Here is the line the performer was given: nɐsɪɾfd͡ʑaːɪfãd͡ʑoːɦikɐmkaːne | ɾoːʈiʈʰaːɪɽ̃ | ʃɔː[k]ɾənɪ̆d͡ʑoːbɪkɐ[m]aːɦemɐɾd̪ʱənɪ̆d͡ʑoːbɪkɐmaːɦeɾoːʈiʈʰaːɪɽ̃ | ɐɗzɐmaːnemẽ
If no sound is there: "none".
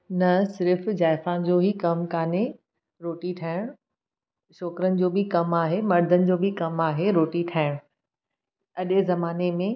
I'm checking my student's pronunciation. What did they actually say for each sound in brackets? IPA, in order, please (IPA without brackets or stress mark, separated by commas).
k, m